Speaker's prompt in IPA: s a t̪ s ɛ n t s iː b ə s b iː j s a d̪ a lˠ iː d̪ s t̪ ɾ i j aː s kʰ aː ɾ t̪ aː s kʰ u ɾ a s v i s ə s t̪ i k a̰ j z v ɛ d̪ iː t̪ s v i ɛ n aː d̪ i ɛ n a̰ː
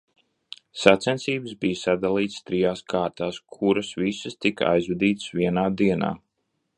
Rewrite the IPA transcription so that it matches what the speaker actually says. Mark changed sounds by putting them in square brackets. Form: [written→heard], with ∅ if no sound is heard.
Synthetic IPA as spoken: s a t̪ s ɛ n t s iː b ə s b [iː→i] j s a d̪ a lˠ iː [d̪→t̪] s t̪ ɾ i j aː s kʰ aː ɾ t̪ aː s kʰ u ɾ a s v i s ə s t̪ i k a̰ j z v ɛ d̪ iː t̪ s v i ɛ n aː d̪ i ɛ n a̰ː